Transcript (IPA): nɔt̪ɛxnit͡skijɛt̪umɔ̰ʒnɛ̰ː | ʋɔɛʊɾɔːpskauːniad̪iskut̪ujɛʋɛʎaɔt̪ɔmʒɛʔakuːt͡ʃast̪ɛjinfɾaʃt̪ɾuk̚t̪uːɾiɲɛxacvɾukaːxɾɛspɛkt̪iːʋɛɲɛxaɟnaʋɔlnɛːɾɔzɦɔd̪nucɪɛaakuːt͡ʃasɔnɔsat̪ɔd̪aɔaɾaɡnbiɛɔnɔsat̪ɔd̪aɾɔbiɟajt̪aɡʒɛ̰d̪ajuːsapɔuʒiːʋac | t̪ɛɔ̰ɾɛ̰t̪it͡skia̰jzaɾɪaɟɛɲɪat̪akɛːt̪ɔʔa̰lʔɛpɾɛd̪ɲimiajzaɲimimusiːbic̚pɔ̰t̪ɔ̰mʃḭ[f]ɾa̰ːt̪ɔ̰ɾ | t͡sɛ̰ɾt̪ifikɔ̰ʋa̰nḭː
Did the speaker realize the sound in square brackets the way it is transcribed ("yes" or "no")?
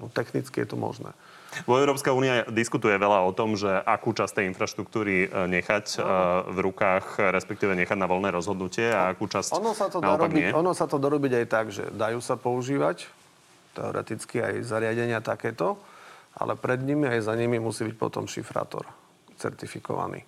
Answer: yes